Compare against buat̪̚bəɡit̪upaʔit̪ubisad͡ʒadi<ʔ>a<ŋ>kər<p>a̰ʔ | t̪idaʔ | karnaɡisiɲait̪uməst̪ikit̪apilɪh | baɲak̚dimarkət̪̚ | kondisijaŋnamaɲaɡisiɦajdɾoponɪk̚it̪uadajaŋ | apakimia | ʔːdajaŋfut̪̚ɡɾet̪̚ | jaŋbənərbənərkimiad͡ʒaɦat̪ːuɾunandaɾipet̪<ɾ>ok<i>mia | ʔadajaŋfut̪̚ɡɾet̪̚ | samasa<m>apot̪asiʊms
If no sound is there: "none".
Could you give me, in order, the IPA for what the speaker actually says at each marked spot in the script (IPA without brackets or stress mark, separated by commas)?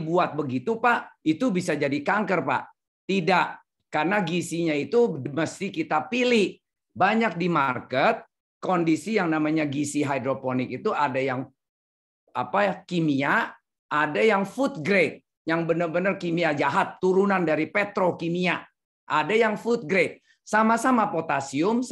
k, ŋ, p, ɾ, i, m